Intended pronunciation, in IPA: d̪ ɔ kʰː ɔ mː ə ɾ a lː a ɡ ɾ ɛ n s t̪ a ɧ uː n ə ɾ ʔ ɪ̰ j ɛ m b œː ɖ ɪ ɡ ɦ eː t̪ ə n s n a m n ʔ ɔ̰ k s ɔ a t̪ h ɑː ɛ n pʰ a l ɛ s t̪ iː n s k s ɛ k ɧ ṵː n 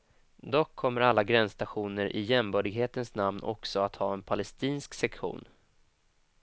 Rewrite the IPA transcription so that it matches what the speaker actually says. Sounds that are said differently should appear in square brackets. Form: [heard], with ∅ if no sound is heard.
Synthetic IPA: d̪ ɔ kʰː ɔ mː ə ɾ a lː a ɡ ɾ ɛ n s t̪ a ɧ uː n ə ɾ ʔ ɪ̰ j ɛ m b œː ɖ ɪ ɡ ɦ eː t̪ ə n s n a m n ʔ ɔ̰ k s ɔ a t̪ h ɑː ɛ n pʰ a l ɛ s t̪ iː n s k s ɛ k ɧ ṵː n